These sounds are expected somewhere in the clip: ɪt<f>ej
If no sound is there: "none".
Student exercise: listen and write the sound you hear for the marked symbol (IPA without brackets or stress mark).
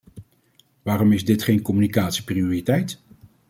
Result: χ